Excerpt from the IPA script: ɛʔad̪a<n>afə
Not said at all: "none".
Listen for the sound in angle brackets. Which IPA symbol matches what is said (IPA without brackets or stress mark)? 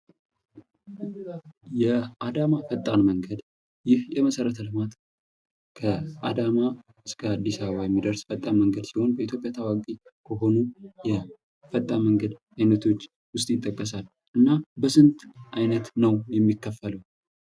m